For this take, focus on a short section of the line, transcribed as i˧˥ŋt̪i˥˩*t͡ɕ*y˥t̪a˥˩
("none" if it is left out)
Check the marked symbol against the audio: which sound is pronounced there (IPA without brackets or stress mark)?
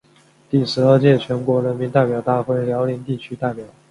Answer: t͡ɕʰ